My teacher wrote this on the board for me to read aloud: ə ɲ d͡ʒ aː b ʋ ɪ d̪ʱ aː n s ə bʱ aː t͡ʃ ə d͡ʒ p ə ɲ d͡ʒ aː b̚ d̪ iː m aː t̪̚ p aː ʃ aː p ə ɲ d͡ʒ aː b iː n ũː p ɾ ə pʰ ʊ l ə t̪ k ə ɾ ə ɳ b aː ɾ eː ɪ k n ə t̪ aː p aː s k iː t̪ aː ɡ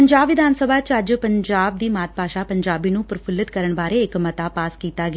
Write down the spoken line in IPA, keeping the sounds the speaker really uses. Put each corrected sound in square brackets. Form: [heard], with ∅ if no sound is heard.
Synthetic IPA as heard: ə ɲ d͡ʒ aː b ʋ ɪ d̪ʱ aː n s ə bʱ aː t͡ʃ ə d͡ʒ p ə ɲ d͡ʒ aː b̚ d̪ iː m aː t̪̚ p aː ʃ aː p ə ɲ d͡ʒ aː b iː n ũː p ɾ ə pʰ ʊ l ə t̪ k ə ɾ ə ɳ b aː ɾ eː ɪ k [m] ə t̪ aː p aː s k iː t̪ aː ɡ

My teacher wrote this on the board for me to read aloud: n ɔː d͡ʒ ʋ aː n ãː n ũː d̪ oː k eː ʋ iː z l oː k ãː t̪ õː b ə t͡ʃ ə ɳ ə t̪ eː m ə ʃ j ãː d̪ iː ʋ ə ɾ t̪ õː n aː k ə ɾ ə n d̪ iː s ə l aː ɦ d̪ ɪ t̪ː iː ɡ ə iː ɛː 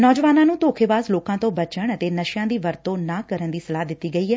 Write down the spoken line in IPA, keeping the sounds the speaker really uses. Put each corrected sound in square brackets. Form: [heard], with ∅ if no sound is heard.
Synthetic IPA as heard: n ɔː d͡ʒ ʋ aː n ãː n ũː [t̪] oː [kʰ] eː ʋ [aː] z l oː k ãː t̪ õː b ə t͡ʃ ə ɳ ə t̪ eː [n] ə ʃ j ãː d̪ iː ʋ ə ɾ t̪ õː n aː k ə ɾ ə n d̪ iː s ə l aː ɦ d̪ ɪ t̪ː iː ɡ ə iː ɛː

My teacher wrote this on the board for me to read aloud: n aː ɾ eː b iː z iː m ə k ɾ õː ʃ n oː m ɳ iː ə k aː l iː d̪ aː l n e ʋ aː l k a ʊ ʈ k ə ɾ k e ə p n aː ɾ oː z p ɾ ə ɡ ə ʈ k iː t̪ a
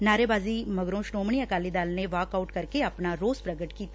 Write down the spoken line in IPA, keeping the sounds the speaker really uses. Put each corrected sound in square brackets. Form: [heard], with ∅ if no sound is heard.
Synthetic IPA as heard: n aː ɾ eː b [aː] z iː m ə [ɡ] ɾ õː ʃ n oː m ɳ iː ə k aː l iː d̪ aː l n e ʋ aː [∅] k a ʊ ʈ k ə ɾ k e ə p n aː ɾ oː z p ɾ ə ɡ ə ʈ k iː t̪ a

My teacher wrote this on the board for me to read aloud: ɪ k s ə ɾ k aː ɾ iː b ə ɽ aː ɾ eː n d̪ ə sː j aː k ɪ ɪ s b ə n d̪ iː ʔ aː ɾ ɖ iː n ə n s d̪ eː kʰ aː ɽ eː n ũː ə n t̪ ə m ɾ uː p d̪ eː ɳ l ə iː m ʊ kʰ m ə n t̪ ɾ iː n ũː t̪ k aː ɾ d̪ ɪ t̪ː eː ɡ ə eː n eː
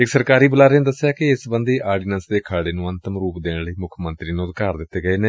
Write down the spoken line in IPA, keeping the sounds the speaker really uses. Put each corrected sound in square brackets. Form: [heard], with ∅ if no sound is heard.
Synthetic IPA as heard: ɪ k s ə ɾ k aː ɾ iː b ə [l] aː ɾ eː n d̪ ə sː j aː k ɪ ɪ s b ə n d̪ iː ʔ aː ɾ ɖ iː n ə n s d̪ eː kʰ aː ɽ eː n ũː ə n t̪ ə m ɾ uː p d̪ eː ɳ l ə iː m ʊ kʰ m ə n t̪ ɾ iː n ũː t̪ k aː ɾ d̪ ɪ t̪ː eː ɡ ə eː n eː

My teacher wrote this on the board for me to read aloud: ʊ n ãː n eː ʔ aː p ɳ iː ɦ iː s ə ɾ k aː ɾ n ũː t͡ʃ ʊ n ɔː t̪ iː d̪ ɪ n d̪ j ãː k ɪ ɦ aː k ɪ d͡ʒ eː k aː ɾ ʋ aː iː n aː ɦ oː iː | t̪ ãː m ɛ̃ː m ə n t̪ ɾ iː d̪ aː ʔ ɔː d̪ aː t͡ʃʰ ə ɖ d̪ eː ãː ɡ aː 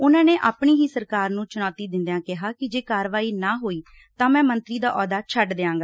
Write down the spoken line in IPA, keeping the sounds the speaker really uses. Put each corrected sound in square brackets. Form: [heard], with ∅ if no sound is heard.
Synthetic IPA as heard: ʊ n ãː n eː ʔ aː p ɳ iː ɦ iː s ə ɾ k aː ɾ n ũː t͡ʃ ʊ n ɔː t̪ iː d̪ ɪ n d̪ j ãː k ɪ ɦ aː k ɪ d͡ʒ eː k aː ɾ ʋ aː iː n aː ɦ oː iː | t̪ ãː m ɛ̃ː m ə n t̪ ɾ iː d̪ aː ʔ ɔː d̪ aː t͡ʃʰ ə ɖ d̪ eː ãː ɡ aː

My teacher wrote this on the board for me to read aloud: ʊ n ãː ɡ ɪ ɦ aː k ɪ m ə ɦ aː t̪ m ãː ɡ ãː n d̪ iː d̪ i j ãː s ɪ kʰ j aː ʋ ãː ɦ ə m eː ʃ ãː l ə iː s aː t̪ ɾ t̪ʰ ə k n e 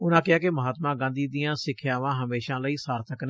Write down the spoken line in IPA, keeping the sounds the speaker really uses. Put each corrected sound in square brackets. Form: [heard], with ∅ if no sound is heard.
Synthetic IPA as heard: ʊ n ãː [k] ɪ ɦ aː k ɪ m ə ɦ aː t̪ m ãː ɡ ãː n d̪ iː d̪ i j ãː s ɪ kʰ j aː ʋ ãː ɦ ə m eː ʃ ãː l ə iː s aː [∅] ɾ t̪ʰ ə k n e

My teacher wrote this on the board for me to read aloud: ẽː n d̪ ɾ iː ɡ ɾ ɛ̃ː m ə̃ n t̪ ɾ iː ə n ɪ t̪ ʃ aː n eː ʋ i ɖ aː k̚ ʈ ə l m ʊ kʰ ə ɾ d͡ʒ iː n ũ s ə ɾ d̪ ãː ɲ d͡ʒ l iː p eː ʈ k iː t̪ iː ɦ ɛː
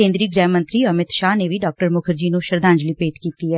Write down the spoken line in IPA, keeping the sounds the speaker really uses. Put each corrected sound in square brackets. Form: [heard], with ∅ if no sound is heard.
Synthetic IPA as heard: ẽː n d̪ ɾ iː ɡ ɾ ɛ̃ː m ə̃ n t̪ ɾ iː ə [m] ɪ t̪ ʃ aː n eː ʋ i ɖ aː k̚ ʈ ə [ɾ] m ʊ kʰ ə ɾ d͡ʒ iː n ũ [ʃ] ə ɾ d̪ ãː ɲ d͡ʒ l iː p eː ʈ k iː t̪ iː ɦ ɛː

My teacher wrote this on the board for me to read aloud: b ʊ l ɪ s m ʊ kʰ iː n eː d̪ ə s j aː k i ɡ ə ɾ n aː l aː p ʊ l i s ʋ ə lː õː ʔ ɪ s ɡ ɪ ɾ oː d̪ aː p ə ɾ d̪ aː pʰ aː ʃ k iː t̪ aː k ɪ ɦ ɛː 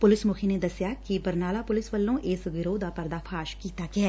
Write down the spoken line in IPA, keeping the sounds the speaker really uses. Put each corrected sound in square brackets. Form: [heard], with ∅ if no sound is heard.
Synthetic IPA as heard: [p] ʊ l ɪ s m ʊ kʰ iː n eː d̪ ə s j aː k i [b] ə ɾ n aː l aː p ʊ l [ɪ] s ʋ ə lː õː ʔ ɪ s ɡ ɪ ɾ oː d̪ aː p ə ɾ d̪ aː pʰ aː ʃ k iː t̪ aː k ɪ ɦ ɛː

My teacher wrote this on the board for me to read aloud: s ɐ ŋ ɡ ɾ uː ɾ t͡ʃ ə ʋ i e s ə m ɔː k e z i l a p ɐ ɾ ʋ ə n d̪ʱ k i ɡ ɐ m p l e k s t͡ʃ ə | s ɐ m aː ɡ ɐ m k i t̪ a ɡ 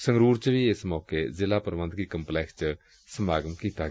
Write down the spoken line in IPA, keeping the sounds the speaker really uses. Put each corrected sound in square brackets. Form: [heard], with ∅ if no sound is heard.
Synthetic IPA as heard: s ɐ ŋ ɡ ɾ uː ɾ t͡ʃ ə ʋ i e s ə m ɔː k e z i l a p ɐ ɾ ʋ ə n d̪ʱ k i [k] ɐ m p l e k s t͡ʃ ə | s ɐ m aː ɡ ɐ m k i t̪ a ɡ

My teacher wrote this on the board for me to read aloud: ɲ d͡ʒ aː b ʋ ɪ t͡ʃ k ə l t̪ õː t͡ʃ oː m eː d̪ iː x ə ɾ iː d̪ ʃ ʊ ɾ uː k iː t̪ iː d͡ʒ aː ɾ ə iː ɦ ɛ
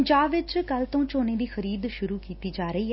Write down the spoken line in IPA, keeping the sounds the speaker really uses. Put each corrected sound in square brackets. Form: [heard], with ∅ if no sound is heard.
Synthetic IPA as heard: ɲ d͡ʒ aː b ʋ ɪ t͡ʃ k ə l t̪ õː t͡ʃ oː [n] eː d̪ iː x ə ɾ iː d̪ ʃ ʊ ɾ uː k iː t̪ iː d͡ʒ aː ɾ ə iː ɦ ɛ

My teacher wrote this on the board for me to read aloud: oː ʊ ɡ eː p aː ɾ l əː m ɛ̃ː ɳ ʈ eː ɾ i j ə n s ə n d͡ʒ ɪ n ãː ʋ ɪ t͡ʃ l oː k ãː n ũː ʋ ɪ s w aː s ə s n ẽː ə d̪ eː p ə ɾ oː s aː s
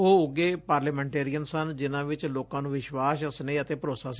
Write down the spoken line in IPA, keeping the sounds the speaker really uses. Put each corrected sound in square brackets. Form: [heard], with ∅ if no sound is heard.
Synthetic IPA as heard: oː ʊ ɡ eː p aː ɾ l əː m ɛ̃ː ɳ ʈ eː ɾ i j ə n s ə n d͡ʒ ɪ n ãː ʋ ɪ t͡ʃ l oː k ãː n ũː ʋ ɪ [ʃ] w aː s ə s n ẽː ə [t̪] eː p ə ɾ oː s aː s

